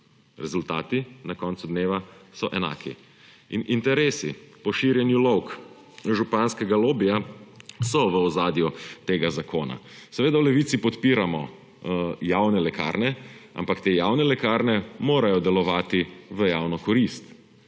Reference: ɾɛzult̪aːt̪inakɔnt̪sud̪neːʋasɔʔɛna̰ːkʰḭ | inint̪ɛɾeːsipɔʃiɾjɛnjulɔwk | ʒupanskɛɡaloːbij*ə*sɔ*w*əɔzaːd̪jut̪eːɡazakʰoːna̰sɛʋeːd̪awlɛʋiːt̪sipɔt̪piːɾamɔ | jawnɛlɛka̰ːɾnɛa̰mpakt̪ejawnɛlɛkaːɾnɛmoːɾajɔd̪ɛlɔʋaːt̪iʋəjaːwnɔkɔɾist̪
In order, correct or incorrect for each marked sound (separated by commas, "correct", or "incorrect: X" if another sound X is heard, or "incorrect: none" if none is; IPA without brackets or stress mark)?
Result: incorrect: a, incorrect: ʋ